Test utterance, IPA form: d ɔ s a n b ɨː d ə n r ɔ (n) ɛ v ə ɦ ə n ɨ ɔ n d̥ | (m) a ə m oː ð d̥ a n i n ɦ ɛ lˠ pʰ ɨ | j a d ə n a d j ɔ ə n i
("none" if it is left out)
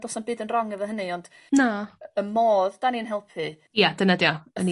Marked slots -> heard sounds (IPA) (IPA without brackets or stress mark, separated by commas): ŋ, n